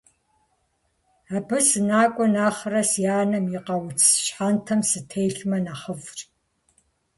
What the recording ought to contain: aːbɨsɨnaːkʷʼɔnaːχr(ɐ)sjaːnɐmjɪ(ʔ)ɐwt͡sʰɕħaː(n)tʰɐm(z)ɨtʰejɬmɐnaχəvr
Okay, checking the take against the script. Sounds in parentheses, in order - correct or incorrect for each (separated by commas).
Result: correct, incorrect, correct, incorrect